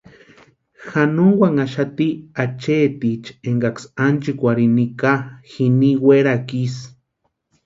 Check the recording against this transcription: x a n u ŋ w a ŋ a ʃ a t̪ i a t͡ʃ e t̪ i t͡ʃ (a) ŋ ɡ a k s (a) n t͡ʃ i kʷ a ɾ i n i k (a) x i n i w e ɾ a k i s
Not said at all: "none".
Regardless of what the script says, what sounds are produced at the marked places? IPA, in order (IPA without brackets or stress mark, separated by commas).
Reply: e, a, a